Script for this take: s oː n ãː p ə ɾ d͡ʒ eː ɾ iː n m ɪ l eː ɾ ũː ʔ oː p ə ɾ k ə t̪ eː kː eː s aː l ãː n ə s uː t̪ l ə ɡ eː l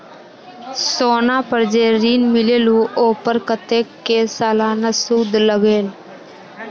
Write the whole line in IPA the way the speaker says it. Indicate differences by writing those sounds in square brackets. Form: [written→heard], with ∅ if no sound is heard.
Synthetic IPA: s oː n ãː p ə ɾ d͡ʒ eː ɾ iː n m ɪ l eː [ɾ→l] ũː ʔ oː p ə ɾ k ə t̪ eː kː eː s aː l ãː n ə s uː [t̪→d̪] l ə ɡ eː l